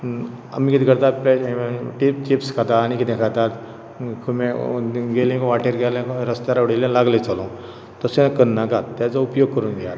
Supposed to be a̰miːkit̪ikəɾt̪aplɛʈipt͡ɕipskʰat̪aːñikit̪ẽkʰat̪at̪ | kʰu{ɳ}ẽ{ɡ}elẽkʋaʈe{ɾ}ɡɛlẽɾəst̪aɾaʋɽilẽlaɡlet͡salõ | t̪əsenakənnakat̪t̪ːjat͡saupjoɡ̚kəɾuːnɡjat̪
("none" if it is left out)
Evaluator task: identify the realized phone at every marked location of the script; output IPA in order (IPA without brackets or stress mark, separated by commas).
m, ɡ, ɾ